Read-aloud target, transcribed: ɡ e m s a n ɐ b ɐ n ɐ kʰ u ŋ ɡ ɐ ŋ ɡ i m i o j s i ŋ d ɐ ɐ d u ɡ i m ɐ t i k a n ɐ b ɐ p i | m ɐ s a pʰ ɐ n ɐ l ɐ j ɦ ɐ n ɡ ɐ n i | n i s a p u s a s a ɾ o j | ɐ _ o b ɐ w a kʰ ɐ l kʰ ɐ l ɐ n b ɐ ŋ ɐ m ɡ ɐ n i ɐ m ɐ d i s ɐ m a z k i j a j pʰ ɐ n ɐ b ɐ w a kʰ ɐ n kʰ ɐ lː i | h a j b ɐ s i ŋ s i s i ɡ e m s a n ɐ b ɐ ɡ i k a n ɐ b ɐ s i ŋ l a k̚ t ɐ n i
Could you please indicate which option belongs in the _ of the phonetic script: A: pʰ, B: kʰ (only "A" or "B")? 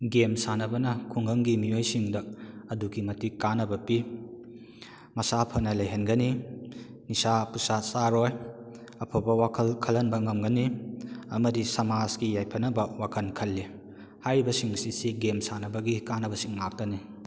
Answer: A